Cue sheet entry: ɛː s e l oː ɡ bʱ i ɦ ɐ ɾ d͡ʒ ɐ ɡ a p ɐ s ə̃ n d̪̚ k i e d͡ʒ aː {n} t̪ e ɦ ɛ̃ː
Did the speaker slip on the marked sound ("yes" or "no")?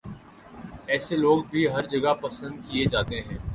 yes